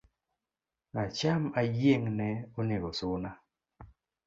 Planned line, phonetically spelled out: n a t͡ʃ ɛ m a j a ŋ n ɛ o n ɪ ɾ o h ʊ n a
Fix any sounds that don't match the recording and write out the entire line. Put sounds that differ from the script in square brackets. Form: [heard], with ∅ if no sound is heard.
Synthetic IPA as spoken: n a t͡ʃ [a] m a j [e] ŋ n ɛ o n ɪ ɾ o [s] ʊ n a